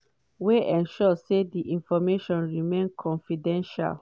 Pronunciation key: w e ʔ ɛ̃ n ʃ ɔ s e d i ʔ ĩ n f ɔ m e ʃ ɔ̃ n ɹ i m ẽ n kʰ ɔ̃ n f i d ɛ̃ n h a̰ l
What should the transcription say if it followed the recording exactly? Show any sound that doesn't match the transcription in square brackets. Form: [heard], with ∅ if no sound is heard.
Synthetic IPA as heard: w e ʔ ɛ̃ n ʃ ɔ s e d i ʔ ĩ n f ɔ m e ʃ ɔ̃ n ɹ i m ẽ n kʰ ɔ̃ n f i d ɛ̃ n [ʃ] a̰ l